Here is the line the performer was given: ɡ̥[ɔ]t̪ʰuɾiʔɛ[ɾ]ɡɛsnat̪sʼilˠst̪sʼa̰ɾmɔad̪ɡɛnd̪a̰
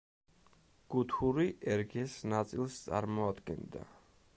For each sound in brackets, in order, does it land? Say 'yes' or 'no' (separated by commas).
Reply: no, yes